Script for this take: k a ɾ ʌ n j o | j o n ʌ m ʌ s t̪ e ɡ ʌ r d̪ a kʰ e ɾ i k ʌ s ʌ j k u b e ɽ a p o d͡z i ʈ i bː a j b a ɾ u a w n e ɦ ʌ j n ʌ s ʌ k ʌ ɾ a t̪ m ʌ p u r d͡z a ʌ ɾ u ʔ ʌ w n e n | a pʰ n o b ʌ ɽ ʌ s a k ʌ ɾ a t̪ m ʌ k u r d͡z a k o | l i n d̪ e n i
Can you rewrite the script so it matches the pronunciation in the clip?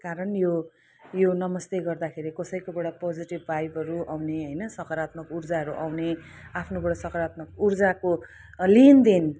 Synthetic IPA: k a ɾ ʌ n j o | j o n ʌ m ʌ s t̪ e ɡ ʌ r d̪ a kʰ e ɾ i k ʌ s ʌ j k o b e ɽ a p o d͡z i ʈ i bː a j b ʌ ɾ u a w n e ɦ ʌ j n ʌ s ʌ k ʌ ɾ a t̪ m ʌ k u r d͡z a ʌ ɾ u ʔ a w n e | a pʰ n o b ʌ ɽ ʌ s ʌ k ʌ ɾ a t̪ m ʌ k u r d͡z a k o | l i n d̪ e n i